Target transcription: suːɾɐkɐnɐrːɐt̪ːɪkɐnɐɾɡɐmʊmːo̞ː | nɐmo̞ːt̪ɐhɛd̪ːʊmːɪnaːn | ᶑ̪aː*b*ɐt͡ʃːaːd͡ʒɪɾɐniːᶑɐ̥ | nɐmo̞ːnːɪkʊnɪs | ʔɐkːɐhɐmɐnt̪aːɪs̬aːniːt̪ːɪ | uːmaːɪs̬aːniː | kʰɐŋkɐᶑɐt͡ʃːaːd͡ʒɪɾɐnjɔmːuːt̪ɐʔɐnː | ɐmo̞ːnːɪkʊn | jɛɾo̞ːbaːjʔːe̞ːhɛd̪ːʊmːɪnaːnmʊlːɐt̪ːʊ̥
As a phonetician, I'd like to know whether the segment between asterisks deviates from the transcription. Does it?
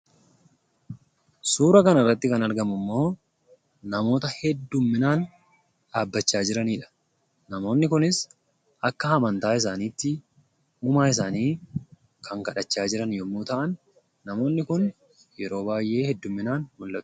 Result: yes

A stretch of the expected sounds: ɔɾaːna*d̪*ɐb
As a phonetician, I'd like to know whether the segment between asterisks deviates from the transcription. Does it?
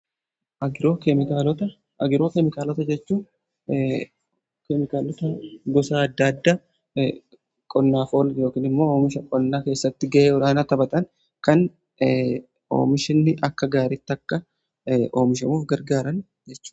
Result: yes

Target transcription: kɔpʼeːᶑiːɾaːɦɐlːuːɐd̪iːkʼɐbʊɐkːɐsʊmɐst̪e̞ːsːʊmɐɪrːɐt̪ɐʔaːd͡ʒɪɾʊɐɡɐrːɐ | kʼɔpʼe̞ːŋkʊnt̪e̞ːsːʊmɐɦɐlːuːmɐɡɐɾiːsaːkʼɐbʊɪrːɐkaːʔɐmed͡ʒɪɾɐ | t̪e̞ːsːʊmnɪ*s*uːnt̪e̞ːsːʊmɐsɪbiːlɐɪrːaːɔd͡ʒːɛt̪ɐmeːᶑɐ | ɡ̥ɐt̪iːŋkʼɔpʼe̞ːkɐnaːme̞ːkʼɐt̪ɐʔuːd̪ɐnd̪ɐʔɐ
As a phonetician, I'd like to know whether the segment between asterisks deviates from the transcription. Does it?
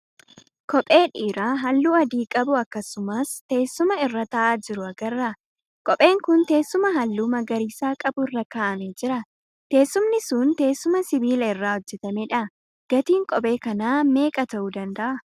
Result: no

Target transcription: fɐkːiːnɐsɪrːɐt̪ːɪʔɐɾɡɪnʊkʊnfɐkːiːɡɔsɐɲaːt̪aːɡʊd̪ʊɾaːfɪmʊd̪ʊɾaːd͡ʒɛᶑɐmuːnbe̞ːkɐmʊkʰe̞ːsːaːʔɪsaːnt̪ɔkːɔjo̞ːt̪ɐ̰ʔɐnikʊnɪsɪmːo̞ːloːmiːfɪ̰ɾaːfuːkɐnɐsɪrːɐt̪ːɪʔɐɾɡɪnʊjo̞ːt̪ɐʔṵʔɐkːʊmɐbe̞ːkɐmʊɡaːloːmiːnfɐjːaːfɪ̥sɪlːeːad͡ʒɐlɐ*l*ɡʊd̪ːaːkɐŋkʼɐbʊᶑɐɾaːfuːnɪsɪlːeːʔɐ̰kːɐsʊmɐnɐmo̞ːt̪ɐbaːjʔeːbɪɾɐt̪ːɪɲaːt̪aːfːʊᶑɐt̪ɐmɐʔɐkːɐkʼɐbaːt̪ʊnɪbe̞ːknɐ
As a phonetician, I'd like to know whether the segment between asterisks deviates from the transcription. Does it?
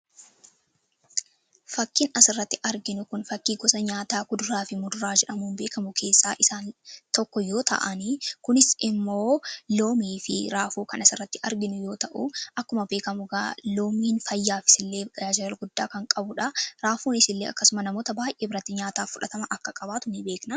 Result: no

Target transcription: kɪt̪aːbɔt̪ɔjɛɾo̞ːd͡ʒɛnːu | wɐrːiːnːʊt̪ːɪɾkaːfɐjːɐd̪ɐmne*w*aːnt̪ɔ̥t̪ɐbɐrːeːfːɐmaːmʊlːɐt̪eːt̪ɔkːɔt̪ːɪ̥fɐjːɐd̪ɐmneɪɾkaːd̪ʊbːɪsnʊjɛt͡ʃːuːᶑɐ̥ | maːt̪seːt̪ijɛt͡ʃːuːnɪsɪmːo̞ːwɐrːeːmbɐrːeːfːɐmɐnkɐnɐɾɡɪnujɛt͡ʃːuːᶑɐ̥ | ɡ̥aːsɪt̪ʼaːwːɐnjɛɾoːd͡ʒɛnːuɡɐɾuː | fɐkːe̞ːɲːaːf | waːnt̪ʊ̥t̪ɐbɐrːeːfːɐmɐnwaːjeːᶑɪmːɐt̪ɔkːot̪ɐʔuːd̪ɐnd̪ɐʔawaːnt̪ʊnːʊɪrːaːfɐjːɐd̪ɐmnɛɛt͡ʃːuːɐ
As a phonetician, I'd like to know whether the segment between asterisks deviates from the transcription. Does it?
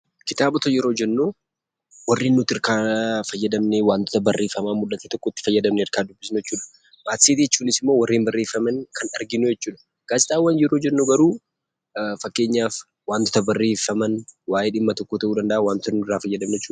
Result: no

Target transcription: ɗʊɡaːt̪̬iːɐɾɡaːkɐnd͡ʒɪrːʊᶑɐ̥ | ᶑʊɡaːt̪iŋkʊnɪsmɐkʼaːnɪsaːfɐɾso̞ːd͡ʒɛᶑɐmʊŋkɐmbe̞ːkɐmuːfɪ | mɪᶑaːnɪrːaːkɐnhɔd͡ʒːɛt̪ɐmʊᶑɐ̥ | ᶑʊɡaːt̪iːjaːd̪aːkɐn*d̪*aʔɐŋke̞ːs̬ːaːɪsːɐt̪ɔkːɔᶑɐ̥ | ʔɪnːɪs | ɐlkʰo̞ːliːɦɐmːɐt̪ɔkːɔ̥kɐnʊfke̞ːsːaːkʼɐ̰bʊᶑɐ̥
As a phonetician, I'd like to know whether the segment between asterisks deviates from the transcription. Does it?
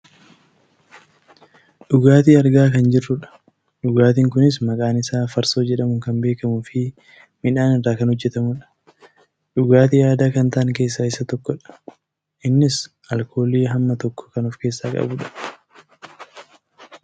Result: yes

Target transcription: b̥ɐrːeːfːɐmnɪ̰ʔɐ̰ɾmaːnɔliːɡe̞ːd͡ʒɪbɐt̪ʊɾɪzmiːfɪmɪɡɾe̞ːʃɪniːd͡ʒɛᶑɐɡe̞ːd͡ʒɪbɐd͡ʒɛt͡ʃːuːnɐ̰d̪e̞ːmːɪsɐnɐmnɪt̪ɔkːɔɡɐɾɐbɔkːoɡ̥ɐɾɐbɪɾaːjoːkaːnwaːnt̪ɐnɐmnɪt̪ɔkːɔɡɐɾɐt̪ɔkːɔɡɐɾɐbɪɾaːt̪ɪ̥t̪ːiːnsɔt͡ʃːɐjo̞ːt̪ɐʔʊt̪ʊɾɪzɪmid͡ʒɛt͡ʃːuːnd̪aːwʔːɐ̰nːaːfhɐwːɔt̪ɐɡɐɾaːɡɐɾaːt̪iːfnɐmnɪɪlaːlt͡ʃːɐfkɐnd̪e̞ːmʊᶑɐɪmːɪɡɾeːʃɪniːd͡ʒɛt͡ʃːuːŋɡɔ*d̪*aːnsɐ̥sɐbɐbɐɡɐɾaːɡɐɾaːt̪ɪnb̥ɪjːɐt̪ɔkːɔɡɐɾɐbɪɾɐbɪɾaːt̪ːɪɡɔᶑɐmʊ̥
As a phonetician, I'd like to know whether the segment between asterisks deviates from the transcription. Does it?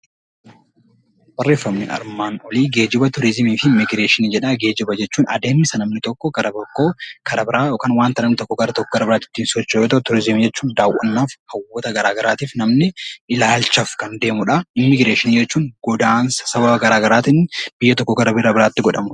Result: no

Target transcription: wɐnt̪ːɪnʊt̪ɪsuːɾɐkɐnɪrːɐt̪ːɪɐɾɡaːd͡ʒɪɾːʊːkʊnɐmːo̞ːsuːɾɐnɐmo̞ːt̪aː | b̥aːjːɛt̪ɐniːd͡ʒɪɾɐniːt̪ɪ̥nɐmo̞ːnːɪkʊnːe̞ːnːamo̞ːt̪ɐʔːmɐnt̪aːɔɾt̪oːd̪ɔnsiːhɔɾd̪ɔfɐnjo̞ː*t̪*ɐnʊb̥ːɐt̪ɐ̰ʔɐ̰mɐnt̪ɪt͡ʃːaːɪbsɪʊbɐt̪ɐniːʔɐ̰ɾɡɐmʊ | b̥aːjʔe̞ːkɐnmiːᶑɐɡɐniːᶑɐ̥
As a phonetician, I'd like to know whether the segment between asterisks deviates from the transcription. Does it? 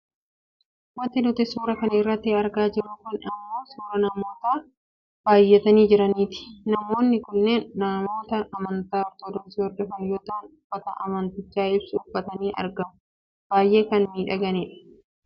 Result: no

